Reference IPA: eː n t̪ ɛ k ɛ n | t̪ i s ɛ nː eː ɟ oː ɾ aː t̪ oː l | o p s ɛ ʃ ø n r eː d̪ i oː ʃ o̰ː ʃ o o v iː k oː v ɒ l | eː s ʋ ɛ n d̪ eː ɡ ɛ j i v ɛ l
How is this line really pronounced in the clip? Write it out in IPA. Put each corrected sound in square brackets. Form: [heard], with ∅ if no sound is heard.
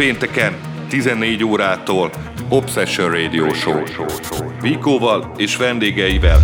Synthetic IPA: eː n t̪ ɛ k ɛ n | t̪ i [z] ɛ nː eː ɟ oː ɾ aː t̪ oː l | o p s ɛ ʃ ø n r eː d̪ i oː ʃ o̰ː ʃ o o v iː k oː v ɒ l | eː [ʃ] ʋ ɛ n d̪ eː ɡ ɛ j i v ɛ l